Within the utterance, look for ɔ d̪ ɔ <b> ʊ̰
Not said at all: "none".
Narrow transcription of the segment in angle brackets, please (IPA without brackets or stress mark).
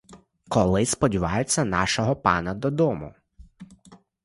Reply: m